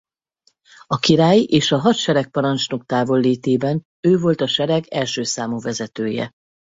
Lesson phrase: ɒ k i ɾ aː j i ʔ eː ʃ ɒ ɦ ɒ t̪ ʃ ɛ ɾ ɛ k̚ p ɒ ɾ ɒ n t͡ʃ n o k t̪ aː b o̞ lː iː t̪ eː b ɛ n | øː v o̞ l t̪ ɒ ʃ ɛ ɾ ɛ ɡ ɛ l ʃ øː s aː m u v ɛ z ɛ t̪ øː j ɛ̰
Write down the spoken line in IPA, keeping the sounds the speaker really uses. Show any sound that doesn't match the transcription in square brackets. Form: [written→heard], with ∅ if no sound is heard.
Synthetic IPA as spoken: ɒ k i ɾ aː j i ʔ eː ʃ ɒ ɦ ɒ t̪ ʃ ɛ ɾ ɛ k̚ p ɒ ɾ ɒ n t͡ʃ n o k t̪ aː [b→v] o̞ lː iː t̪ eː b ɛ n | øː v o̞ l t̪ ɒ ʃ ɛ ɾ ɛ ɡ ɛ l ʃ øː s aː m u v ɛ z ɛ t̪ øː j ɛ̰